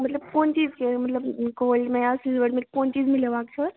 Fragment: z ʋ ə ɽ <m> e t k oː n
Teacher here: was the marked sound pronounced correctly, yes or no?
yes